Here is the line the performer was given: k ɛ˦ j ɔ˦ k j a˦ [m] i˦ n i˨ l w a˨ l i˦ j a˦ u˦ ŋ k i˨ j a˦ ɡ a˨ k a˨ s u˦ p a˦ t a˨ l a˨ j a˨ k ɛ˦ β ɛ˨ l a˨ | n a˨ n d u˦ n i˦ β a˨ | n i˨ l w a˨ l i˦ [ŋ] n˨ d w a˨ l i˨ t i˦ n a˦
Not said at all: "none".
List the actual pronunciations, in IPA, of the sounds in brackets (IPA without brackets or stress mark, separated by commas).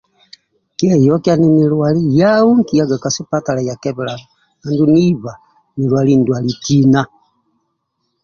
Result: n, none